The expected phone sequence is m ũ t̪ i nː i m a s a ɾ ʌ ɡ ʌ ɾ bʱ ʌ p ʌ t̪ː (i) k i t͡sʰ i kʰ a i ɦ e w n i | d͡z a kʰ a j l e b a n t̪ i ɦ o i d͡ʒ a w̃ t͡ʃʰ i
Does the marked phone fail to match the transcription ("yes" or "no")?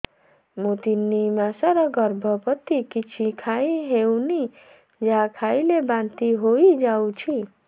no